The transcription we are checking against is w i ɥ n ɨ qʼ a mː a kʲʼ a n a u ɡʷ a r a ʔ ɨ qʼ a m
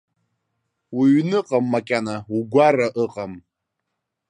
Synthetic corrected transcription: w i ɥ n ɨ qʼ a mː a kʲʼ a n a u ɡʷ a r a ʔ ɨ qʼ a m